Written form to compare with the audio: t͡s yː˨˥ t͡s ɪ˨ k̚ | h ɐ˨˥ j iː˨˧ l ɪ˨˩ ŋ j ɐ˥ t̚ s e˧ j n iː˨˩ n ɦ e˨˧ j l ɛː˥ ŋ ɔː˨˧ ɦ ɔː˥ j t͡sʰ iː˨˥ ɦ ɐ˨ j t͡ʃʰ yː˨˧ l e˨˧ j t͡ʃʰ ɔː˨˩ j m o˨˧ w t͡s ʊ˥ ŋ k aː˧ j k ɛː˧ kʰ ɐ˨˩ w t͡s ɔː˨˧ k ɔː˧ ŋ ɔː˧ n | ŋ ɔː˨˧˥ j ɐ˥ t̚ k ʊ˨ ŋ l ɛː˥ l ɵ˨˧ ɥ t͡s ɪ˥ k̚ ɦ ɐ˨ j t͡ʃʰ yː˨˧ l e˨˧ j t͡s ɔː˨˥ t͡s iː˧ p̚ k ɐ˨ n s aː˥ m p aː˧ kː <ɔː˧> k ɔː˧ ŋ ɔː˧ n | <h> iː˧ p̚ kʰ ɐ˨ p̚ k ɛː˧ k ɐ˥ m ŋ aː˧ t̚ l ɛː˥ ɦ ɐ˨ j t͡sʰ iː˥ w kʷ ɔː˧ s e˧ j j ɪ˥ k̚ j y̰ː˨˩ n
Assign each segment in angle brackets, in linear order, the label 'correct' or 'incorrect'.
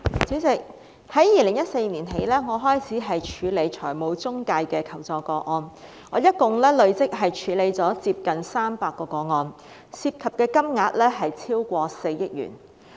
correct, incorrect

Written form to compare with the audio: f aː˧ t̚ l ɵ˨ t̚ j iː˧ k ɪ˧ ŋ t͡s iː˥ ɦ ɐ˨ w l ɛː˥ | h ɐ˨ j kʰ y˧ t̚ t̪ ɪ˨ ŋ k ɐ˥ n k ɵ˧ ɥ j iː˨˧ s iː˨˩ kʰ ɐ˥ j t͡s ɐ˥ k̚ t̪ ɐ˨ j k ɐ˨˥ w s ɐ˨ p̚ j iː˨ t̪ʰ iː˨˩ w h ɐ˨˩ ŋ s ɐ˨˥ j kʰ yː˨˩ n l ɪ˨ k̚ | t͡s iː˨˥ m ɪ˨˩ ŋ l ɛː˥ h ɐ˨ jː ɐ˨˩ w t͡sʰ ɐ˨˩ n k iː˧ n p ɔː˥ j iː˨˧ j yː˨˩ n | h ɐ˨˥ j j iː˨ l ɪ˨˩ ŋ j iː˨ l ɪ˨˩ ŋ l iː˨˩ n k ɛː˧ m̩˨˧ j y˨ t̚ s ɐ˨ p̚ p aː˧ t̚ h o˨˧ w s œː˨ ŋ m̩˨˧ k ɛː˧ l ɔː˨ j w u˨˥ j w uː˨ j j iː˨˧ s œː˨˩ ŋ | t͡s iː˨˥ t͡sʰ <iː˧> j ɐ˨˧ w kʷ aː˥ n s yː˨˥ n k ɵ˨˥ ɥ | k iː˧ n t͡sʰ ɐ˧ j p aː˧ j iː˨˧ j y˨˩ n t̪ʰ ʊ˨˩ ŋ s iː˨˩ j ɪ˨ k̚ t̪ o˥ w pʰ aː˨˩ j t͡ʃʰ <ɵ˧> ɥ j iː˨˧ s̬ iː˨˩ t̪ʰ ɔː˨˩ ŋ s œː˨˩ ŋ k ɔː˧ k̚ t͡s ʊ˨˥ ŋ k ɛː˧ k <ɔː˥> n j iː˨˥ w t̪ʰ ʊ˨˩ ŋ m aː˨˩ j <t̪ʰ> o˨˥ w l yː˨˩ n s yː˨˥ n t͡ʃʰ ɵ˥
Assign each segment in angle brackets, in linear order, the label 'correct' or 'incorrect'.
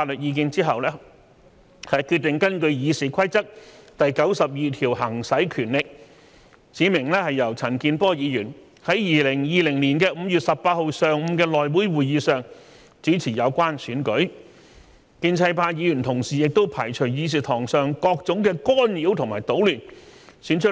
incorrect, incorrect, correct, incorrect

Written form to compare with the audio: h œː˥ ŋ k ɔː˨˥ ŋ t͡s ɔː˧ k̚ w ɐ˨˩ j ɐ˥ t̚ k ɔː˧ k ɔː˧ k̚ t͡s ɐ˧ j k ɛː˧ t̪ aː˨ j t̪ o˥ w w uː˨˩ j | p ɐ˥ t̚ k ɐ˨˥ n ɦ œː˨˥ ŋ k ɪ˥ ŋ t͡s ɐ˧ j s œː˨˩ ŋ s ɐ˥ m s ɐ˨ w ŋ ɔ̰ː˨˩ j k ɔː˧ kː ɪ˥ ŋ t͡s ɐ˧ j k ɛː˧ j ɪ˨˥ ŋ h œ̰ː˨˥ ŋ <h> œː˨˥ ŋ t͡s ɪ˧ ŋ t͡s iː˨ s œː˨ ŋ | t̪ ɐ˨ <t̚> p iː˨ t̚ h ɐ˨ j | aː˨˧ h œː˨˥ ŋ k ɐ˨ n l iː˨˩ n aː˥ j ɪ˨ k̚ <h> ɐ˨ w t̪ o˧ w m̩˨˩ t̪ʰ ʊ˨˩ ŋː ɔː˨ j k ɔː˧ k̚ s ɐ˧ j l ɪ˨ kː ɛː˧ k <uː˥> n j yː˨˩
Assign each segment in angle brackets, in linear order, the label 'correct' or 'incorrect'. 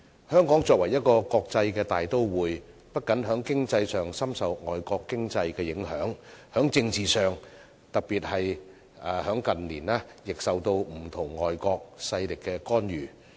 correct, incorrect, incorrect, incorrect

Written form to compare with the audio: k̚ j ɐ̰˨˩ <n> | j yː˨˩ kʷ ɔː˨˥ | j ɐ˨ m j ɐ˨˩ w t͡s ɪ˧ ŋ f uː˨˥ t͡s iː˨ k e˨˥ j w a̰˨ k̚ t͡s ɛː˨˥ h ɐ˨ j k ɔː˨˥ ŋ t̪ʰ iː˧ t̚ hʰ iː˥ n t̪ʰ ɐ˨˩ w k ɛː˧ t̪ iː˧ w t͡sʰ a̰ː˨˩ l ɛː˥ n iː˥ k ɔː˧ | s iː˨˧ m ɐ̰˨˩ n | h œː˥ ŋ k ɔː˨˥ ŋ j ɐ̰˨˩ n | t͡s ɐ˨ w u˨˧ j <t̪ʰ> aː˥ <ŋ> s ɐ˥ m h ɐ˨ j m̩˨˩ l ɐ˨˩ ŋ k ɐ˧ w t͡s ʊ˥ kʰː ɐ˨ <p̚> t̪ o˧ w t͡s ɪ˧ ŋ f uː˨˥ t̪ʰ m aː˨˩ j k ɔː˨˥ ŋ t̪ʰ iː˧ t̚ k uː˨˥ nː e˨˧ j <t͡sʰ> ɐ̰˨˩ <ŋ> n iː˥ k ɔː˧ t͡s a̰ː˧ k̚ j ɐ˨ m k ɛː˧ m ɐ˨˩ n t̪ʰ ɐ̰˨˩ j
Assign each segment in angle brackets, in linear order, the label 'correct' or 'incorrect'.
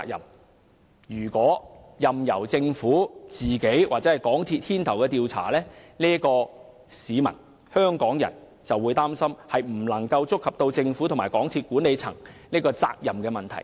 incorrect, incorrect, incorrect, correct, correct, correct

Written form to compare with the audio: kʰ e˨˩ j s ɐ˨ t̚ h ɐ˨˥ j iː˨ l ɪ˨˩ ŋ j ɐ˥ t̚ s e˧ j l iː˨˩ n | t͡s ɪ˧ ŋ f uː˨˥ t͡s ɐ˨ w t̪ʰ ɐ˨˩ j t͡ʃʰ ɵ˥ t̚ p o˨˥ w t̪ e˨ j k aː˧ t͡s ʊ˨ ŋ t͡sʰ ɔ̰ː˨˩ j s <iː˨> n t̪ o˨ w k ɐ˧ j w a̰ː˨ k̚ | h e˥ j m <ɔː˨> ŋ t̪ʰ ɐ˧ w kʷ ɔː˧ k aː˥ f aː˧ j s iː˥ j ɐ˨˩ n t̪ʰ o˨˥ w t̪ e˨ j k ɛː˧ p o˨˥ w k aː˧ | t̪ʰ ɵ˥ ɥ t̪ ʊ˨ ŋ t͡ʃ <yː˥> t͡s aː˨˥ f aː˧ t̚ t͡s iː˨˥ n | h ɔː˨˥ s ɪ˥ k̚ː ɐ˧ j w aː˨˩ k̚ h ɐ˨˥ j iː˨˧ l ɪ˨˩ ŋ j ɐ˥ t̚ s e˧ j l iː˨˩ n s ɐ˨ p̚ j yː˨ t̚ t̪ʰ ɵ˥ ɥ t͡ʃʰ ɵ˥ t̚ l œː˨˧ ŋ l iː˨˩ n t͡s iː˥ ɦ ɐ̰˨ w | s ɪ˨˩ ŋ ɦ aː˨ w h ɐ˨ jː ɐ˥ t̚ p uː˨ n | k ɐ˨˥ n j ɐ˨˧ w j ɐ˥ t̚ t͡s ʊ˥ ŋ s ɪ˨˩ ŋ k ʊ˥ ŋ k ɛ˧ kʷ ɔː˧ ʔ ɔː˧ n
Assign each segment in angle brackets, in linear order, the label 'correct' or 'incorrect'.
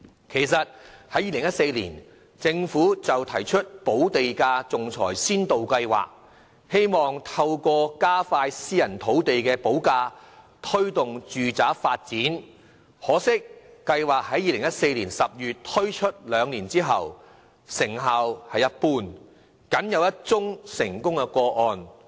incorrect, correct, incorrect

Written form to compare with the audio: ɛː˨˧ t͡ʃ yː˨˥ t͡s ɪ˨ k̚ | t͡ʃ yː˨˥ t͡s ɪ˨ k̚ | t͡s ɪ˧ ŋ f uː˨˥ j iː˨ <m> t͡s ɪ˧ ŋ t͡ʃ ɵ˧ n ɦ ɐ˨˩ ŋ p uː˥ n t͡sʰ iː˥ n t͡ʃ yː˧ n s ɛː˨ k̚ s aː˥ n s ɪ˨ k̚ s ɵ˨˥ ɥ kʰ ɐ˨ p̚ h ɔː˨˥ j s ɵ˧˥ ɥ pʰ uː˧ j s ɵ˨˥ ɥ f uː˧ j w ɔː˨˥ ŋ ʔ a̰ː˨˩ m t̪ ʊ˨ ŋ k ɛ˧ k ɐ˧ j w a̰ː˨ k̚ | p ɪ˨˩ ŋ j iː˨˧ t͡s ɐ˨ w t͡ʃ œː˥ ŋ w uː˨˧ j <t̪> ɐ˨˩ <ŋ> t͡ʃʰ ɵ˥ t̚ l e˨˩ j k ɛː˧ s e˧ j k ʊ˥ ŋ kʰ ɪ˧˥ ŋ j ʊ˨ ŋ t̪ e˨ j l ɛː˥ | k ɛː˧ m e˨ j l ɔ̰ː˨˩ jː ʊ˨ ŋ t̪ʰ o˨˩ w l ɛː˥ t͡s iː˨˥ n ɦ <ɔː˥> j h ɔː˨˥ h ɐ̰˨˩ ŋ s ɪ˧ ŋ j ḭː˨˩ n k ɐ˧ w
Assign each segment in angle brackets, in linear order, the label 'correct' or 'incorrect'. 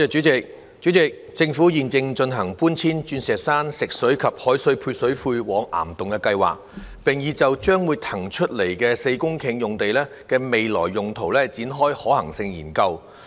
incorrect, incorrect, correct, correct

